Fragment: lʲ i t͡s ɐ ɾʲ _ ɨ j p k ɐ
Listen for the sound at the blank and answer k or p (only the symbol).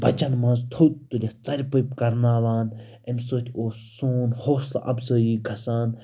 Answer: p